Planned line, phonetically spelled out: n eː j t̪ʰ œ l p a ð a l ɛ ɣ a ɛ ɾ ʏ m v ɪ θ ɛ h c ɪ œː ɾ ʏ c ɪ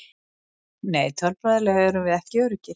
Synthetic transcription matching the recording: n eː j t̪ʰ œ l p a ð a l ɛ ɣ a ɛ ɾ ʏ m v ɪ ð ɛ h c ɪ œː ɾ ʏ c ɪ